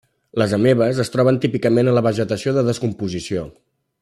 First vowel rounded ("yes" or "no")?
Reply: no